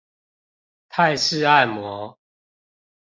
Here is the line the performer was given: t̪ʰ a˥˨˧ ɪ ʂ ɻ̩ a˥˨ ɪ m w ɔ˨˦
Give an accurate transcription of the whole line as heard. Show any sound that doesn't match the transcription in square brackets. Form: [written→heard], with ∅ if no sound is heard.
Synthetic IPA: t̪ʰ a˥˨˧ ɪ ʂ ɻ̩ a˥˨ ɪ m w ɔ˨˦